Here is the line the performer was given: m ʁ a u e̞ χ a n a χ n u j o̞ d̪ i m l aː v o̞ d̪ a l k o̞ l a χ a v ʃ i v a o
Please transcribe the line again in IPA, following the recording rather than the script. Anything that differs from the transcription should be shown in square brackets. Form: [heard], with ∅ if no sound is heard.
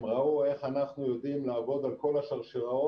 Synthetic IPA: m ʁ a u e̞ χ a n a χ n u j o̞ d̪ i m l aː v o̞ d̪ a l k o̞ l a [ʃ] a [ʁ] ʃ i [ʁ] a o